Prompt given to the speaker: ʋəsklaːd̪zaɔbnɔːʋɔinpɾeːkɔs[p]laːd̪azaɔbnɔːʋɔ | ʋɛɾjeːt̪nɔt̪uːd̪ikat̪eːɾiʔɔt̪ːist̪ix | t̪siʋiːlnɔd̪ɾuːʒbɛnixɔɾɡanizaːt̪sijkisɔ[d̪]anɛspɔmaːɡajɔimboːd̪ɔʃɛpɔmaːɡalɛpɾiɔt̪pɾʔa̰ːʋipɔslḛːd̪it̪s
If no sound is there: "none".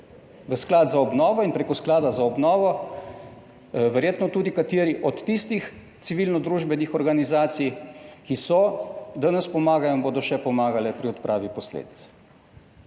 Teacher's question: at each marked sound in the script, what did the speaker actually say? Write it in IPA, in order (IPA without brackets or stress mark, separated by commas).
k, d̪